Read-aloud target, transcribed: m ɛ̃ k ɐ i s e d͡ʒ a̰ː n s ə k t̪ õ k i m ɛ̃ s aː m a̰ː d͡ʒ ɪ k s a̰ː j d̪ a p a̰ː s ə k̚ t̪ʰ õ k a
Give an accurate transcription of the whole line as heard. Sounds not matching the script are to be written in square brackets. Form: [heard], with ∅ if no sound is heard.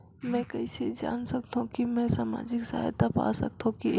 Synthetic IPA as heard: m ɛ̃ k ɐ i s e d͡ʒ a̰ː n s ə k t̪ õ k i m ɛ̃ s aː m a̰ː d͡ʒ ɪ k s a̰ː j [t̪] a p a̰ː s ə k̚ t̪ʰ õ k [i]